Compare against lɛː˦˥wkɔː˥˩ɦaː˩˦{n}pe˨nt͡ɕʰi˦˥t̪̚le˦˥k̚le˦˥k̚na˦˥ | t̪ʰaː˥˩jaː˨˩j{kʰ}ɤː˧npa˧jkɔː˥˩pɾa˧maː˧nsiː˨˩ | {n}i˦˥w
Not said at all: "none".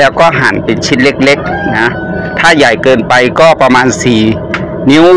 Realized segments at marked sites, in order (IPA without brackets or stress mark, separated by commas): n, k, n